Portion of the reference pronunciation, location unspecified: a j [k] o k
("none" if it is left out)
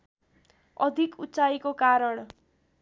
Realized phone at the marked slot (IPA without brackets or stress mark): k